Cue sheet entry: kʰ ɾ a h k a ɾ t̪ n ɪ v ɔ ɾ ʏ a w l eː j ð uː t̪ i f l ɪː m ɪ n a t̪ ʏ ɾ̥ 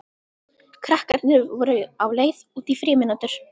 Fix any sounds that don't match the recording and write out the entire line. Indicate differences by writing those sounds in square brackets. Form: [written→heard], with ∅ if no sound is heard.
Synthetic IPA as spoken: kʰ ɾ a h k a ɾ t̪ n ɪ v ɔ ɾ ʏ a w l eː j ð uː t̪ i f [l→ɾ] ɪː m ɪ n a t̪ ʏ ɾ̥